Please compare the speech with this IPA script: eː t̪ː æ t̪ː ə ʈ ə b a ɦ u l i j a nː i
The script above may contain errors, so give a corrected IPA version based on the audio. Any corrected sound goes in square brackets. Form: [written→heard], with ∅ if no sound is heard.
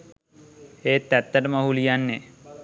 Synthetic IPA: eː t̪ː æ t̪ː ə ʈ ə [b→m] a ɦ u l i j a nː [i→e]